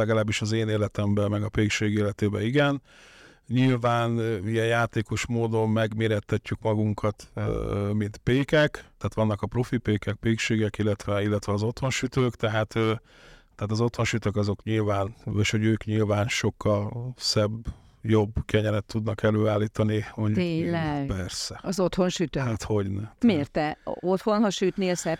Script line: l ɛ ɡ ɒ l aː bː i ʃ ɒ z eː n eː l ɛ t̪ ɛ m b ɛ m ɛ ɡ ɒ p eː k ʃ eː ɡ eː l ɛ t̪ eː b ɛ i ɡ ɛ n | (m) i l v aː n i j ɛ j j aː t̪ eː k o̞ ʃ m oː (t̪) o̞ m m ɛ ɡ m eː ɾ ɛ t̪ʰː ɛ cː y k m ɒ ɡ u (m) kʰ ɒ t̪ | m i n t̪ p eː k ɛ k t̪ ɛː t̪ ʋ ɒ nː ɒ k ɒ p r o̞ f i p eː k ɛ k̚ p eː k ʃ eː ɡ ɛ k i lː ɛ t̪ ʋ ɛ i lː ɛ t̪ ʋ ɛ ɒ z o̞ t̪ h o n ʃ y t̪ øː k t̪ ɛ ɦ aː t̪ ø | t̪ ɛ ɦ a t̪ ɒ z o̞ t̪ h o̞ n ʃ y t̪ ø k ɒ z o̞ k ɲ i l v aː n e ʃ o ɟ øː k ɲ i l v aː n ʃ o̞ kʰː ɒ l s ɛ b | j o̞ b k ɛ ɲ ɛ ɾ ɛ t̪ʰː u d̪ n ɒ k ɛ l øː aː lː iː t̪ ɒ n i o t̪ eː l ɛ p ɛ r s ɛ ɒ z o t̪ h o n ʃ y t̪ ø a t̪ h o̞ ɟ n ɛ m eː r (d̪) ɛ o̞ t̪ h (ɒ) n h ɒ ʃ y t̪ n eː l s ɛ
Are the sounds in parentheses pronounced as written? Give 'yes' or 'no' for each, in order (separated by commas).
no, no, no, no, no